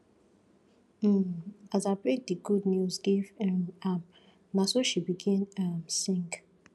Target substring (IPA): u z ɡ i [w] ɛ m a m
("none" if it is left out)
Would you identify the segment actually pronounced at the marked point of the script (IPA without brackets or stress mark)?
v